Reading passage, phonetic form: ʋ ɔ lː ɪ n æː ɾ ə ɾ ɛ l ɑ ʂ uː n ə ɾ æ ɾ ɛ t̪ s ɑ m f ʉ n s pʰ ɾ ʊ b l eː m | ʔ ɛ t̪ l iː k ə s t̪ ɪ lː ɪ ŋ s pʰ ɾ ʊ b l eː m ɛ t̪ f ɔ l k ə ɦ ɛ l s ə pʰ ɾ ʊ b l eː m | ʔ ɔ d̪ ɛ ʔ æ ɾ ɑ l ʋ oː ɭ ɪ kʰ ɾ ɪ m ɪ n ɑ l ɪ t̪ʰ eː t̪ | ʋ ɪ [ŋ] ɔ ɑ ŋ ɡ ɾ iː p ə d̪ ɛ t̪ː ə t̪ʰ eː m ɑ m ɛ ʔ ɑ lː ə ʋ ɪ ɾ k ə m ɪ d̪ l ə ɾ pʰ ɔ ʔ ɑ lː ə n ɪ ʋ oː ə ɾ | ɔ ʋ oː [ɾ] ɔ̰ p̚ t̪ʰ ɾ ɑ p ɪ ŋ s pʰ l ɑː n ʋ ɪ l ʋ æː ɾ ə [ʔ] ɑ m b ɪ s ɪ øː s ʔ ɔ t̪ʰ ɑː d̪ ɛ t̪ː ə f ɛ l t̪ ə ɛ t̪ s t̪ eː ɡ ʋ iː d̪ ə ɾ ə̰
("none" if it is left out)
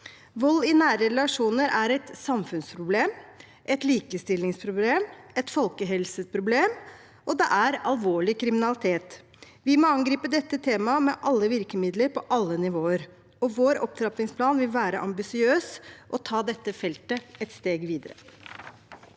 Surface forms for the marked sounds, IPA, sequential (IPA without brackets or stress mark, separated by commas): m, ɾ, ʔ